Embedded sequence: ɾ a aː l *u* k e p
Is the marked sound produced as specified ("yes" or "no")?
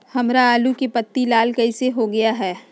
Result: yes